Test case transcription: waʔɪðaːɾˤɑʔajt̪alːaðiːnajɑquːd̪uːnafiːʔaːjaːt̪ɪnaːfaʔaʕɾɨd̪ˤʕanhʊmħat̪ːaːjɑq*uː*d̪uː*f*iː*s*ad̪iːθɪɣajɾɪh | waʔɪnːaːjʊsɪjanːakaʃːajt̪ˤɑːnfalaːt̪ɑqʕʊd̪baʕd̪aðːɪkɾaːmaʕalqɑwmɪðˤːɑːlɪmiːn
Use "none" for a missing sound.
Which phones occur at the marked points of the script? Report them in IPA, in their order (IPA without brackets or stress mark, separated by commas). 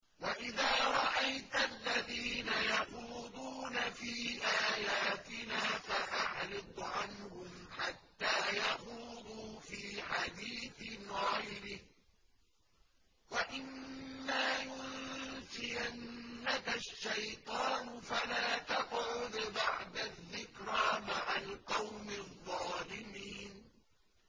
uː, f, ħ